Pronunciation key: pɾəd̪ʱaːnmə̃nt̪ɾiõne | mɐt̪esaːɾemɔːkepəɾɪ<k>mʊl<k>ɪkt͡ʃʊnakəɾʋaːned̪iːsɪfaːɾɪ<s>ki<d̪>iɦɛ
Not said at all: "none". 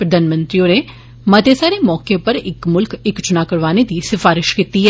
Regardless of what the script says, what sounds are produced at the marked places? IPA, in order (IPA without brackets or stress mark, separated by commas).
k, k, ʃ, t̪